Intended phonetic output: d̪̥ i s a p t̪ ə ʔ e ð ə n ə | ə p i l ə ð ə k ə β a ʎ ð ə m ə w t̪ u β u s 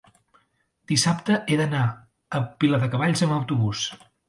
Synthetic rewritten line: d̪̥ i s a p t̪ ə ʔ e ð ə n a | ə p i l ə ð ə k ə β a ʎ z ə m ə w t̪ u β u s